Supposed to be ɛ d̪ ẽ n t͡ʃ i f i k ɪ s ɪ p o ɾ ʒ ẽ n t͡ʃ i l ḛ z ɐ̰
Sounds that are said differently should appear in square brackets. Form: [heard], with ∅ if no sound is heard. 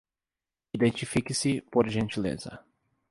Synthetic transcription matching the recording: [i] d̪ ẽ n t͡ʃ i f i k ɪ s ɪ p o ɾ ʒ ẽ n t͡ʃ i l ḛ z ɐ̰